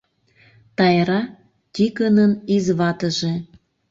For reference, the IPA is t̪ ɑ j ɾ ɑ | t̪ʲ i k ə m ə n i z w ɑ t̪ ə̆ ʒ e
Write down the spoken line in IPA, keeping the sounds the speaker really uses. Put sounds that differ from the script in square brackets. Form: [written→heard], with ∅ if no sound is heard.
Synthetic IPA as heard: t̪ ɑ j ɾ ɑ | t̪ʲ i k ə [m→n] ə n i z [w→β] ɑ t̪ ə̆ ʒ e